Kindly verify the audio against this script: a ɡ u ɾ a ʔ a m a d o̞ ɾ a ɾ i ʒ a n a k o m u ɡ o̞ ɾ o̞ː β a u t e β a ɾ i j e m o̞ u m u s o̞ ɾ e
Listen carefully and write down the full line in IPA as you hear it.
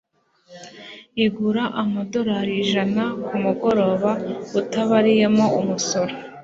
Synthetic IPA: i ɡ u ɾ a ʔ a m a d o̞ ɾ a ɾ i ʒ a n a k u m u ɡ o̞ ɾ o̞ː β a u t a β a ɾ i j e m o̞ u m u s o̞ ɾ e